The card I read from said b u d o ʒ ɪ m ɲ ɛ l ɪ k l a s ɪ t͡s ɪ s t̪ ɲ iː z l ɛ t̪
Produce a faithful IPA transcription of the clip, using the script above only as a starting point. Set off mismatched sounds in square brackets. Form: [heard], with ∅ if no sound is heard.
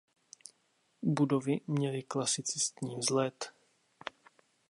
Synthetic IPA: b u d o [v] ɪ m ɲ ɛ l ɪ k l a s ɪ t͡s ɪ s t̪ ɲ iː z l ɛ t̪